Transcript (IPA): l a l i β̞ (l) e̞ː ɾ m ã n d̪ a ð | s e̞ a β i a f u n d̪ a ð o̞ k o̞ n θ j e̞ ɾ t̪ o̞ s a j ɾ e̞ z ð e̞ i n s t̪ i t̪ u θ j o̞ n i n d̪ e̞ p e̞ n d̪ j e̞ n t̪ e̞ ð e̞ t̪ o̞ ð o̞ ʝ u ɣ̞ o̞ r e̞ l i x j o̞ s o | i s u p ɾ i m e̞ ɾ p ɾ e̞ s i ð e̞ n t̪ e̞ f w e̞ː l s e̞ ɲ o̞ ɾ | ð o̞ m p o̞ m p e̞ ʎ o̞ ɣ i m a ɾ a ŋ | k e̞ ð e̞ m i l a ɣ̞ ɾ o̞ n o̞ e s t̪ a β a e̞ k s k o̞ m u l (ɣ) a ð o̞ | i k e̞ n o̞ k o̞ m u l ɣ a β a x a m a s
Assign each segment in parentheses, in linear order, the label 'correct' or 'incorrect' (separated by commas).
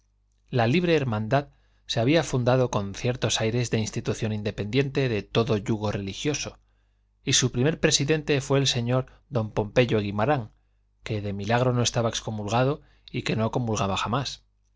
incorrect, correct